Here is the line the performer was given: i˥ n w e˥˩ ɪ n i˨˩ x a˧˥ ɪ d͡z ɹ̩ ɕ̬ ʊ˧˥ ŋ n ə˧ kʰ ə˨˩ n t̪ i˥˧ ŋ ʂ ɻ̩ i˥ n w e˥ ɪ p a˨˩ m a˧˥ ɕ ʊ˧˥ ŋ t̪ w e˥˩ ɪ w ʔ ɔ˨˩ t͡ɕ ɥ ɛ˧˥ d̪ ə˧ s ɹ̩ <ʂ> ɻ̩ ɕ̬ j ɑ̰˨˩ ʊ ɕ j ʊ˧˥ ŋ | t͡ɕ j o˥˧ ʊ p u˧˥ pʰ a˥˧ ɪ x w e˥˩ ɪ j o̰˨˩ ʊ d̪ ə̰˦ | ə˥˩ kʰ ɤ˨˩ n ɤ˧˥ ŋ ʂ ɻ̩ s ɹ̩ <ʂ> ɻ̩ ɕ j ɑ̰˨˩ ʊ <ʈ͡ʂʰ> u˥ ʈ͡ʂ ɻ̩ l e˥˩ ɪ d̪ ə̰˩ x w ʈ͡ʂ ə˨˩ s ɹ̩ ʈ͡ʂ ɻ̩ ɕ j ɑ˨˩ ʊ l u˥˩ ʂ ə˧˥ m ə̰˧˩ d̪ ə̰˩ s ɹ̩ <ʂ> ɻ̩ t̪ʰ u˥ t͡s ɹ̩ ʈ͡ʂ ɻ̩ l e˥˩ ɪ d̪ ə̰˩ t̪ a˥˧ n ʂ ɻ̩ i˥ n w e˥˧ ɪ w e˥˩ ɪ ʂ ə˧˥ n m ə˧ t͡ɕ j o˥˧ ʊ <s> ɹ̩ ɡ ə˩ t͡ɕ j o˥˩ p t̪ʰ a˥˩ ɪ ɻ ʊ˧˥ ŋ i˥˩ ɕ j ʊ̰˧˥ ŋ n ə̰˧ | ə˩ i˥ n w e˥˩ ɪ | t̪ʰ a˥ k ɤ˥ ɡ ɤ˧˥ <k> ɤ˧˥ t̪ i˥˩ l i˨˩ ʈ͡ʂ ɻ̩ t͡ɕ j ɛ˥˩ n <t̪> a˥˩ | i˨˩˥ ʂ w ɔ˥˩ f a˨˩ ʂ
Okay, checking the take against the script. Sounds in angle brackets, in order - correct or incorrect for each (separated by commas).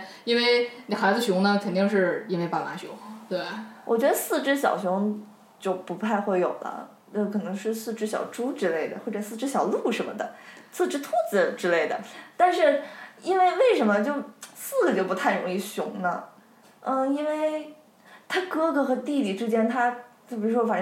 incorrect, incorrect, incorrect, incorrect, correct, incorrect, incorrect